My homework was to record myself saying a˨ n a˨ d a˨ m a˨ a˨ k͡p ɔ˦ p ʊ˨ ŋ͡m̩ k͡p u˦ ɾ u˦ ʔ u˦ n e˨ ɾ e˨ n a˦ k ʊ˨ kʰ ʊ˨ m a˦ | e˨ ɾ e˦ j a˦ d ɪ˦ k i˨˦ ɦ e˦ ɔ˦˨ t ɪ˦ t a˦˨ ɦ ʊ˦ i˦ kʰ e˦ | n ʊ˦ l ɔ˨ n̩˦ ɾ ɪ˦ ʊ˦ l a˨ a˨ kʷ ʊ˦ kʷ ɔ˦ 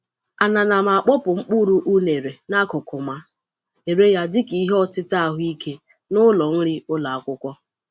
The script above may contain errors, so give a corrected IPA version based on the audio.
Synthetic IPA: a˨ n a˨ n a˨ m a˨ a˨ k͡p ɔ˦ p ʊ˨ ŋ͡m̩ k͡p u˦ ɾ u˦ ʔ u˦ n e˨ ɾ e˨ n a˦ k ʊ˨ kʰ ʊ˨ m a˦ | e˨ ɾ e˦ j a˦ d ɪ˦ k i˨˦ ɦ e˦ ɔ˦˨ t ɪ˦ t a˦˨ ɦ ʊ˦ i˦ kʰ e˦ | n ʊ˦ l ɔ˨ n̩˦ ɾ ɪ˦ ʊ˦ l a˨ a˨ kʷ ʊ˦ kʷ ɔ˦